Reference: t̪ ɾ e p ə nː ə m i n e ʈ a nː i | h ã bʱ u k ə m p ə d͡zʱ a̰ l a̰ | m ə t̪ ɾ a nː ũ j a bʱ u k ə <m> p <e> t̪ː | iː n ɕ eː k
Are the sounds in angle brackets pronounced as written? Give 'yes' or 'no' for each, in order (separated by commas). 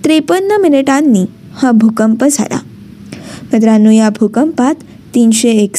yes, no